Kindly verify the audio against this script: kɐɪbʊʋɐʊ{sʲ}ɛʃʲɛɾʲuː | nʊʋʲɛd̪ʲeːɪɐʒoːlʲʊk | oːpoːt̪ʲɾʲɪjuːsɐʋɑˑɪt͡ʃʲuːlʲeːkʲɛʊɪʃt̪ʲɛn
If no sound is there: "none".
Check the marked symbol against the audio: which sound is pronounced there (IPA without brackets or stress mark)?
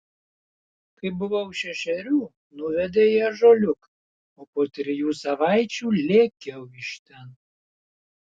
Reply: ʃʲ